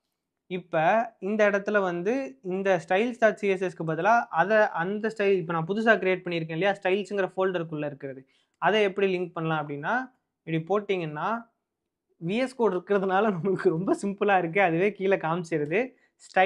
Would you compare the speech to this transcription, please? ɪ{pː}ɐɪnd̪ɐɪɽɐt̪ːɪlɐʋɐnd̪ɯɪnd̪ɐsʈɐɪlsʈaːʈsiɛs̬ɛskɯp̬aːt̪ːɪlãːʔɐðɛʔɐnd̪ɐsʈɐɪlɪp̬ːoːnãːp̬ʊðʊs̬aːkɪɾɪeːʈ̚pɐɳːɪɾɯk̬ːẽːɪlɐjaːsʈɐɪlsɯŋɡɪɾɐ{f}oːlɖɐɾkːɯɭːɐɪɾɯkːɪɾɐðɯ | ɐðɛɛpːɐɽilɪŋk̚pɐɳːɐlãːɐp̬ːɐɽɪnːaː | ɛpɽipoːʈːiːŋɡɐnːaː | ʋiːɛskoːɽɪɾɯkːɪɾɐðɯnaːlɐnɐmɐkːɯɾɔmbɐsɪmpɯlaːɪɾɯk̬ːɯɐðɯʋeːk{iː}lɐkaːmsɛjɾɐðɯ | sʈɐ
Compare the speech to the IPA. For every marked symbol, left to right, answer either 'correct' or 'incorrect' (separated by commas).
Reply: correct, correct, correct